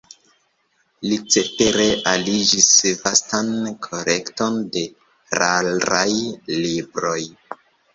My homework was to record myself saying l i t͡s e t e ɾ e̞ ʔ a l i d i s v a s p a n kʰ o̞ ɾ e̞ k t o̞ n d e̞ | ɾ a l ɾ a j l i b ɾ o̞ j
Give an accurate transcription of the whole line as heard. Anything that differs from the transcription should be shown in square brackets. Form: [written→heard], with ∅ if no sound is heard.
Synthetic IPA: l i t͡s e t e ɾ e̞ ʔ a l i [d→d͡ʒ] i s v a s [p→t] a n kʰ o̞ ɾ e̞ k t o̞ n d e̞ | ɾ a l ɾ a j l i b ɾ o̞ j